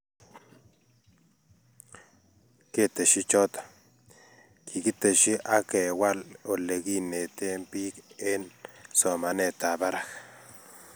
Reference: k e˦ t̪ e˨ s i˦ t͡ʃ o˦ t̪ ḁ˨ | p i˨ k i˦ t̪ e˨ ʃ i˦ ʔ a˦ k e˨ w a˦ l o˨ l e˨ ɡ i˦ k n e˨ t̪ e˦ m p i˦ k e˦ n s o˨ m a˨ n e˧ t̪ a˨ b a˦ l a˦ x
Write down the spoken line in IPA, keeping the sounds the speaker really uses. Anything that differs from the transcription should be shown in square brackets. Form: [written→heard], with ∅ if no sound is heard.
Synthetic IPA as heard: k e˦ t̪ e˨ [s→ʃ] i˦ t͡ʃ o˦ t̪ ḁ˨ | [p→k] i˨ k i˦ t̪ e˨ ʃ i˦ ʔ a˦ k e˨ w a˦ l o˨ l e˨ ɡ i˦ [k→∅] n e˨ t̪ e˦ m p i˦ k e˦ n s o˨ m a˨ n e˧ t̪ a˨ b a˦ [l→ɾ] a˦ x